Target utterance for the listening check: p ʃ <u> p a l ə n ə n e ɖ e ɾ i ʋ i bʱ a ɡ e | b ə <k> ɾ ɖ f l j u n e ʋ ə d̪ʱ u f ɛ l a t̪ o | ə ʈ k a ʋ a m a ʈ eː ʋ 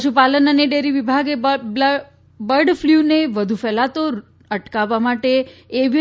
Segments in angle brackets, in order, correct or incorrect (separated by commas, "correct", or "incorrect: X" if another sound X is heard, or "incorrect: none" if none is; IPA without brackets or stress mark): correct, incorrect: none